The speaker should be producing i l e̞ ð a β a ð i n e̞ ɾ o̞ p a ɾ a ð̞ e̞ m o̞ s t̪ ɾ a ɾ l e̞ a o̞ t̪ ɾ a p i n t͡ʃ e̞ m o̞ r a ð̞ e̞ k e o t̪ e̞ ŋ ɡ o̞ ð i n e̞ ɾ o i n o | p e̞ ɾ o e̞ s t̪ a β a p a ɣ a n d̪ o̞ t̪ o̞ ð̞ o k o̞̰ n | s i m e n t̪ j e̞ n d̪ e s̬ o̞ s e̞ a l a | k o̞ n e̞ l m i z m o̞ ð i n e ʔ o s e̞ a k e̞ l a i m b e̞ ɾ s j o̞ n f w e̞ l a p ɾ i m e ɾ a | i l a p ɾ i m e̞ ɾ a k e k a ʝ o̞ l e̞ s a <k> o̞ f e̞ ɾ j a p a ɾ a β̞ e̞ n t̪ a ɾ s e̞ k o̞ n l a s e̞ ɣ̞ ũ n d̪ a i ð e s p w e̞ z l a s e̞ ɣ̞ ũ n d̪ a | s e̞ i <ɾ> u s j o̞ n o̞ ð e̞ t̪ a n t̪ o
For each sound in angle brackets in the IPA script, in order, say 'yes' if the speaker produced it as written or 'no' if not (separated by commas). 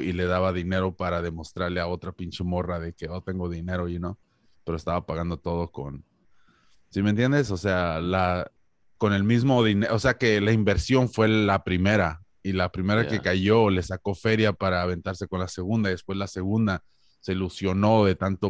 yes, no